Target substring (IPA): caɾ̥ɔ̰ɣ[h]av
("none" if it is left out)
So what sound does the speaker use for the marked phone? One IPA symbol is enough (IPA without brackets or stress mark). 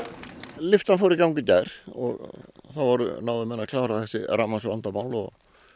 θ